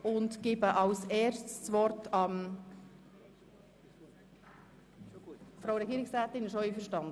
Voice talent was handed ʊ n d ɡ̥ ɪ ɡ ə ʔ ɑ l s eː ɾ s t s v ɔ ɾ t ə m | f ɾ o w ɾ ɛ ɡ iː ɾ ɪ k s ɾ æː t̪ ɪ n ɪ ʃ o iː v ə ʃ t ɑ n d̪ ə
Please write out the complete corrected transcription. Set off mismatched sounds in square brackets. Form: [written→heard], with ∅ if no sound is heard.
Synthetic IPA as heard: ʊ n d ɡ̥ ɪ [ɡ→b] ə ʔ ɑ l s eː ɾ s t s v ɔ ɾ t [ə→ɑ] m | f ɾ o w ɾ ɛ ɡ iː ɾ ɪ k s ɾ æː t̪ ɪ n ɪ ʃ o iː [v→f] ə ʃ t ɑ n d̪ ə